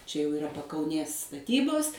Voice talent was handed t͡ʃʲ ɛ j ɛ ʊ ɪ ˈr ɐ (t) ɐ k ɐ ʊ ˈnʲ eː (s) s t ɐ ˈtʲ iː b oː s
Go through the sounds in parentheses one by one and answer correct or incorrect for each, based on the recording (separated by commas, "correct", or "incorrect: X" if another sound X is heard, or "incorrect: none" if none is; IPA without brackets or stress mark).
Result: incorrect: p, correct